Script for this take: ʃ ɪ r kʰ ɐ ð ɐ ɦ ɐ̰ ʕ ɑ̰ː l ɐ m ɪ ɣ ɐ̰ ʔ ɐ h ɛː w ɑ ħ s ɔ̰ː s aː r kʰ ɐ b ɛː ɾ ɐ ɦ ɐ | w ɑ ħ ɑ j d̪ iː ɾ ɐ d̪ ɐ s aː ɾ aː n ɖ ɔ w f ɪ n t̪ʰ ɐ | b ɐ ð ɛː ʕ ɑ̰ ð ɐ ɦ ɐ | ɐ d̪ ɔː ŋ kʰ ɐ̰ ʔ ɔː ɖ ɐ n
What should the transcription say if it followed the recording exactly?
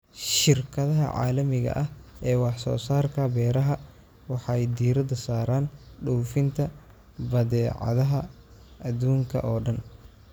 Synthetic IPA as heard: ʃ ɪ r kʰ ɐ ð ɐ ɦ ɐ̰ ʕ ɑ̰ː l ɐ m ɪ ɣ ɐ̰ ʔ ɐ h ɛː w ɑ ħ s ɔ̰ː s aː r kʰ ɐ b ɛː ɾ ɐ ɦ ɐ | w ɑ ħ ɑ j d̪ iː ɾ ɐ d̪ ɐ s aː ɾ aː n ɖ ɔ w f ɪ n t̪ʰ ɐ | b ɐ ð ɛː ʕ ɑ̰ ð ɐ ɦ ɐ | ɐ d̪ uː ŋ kʰ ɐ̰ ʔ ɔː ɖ ɐ n